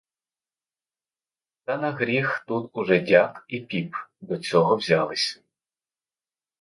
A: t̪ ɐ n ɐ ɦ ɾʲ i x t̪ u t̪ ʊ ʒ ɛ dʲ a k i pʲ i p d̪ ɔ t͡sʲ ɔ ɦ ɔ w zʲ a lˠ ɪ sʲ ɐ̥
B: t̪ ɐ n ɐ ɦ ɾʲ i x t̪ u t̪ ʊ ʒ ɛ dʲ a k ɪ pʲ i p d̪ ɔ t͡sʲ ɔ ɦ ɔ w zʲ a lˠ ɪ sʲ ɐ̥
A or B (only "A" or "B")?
A